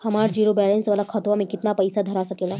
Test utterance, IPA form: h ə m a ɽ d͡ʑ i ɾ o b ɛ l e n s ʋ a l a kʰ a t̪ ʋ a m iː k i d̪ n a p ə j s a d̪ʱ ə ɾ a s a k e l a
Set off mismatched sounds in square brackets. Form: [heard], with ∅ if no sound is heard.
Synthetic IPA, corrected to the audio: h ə m a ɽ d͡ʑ i ɾ o b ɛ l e n s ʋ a l a kʰ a t̪ ʋ a m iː k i [t̪] n a p ə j s a d̪ʱ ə ɾ a s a k e l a

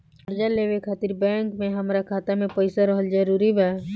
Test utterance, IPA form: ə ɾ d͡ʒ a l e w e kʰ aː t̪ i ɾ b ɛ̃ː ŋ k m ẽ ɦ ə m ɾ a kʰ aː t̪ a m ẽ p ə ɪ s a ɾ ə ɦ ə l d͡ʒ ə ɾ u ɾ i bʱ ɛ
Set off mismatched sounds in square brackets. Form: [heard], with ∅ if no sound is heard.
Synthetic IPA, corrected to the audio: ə ɾ d͡ʒ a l e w e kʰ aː t̪ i ɾ b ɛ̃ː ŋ k m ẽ ɦ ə m ɾ a kʰ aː t̪ a m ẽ p ə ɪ s a ɾ ə ɦ ə l d͡ʒ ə ɾ u ɾ i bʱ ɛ

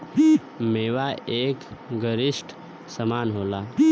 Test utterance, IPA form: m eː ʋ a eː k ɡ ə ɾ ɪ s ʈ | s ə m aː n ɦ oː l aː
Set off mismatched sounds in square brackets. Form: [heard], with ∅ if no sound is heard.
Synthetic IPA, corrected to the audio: m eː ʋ a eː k ɡ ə ɾ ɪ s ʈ | s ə m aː n ɦ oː l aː

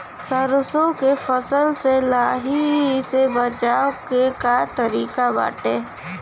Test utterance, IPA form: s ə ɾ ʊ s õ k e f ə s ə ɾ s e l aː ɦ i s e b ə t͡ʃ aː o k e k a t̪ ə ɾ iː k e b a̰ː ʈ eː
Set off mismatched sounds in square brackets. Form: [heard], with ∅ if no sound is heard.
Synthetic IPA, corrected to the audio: s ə ɾ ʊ s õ k e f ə s ə [l] s e l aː ɦ i s e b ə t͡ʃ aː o k e k a t̪ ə ɾ iː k [a] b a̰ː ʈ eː

